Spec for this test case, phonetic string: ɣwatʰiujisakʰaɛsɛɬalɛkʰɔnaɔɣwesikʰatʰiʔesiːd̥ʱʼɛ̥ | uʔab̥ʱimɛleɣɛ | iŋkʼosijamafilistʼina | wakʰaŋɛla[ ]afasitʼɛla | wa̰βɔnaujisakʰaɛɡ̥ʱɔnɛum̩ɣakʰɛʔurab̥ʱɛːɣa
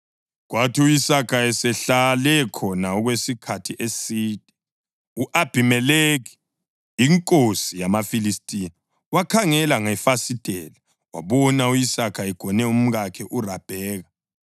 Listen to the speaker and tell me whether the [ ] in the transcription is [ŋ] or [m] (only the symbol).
ŋ